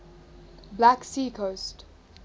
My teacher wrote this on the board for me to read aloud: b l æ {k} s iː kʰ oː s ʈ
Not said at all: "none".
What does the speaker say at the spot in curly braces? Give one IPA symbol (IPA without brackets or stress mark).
k